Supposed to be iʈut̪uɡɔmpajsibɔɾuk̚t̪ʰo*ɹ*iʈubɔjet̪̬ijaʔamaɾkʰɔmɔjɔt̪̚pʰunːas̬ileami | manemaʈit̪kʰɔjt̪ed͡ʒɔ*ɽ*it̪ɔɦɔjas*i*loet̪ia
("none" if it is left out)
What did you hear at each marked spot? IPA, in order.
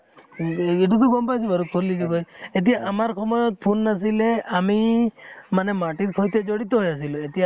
l, ɽ, i

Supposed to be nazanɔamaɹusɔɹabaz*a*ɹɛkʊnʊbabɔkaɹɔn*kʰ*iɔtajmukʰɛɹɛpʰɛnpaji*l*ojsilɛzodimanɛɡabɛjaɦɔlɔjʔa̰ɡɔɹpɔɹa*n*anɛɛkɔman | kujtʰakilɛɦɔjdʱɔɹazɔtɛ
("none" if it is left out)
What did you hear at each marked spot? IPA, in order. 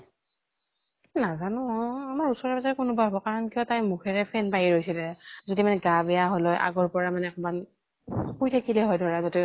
a, k, ɹ, m

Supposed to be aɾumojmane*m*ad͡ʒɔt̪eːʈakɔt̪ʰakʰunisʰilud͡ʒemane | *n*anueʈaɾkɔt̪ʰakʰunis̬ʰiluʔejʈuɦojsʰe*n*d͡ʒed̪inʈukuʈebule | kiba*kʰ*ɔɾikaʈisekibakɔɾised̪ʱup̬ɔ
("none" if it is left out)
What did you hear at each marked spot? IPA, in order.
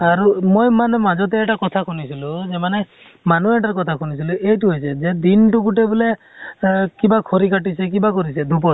m, m, none, kʰ

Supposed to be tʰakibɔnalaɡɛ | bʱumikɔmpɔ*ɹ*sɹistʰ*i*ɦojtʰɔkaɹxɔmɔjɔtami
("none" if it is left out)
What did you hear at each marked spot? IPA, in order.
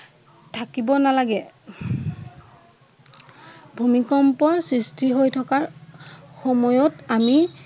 ɹ, i

